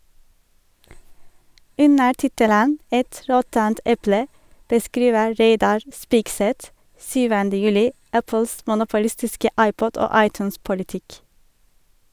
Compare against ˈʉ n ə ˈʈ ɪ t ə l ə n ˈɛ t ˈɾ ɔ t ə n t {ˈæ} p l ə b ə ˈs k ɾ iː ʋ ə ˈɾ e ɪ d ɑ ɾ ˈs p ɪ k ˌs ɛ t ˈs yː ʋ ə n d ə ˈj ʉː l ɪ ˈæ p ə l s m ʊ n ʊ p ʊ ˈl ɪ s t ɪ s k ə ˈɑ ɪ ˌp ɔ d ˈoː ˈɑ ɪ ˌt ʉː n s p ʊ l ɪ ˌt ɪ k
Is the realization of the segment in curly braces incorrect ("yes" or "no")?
yes